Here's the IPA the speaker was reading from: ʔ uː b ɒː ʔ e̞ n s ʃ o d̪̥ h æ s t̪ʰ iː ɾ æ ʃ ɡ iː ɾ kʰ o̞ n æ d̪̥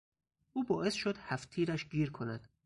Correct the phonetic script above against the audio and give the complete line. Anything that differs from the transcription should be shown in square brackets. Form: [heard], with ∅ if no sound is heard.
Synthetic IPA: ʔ uː b ɒː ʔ e̞ [∅] s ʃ o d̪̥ h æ [f] t̪ʰ iː ɾ æ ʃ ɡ iː ɾ kʰ o̞ n æ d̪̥